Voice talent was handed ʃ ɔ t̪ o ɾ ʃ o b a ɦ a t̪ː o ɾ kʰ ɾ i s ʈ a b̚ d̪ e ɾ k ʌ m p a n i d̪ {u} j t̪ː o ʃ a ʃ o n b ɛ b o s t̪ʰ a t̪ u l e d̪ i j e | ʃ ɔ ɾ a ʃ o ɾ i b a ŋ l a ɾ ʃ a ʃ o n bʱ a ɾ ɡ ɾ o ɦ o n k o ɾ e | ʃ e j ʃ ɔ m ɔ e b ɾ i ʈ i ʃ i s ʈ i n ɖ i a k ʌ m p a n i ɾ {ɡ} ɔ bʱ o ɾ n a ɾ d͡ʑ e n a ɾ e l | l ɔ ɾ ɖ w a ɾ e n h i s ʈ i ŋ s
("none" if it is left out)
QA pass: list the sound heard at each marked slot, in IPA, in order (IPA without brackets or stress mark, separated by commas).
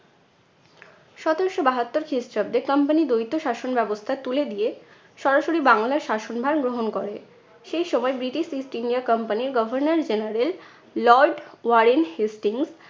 o, ɡ